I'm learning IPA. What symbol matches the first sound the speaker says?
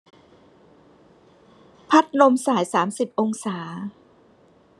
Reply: pʰ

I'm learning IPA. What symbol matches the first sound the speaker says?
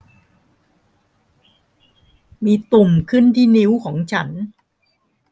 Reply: m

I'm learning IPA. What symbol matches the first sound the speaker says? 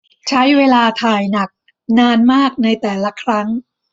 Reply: t͡ɕʰ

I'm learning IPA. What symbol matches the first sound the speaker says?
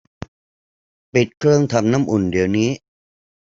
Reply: p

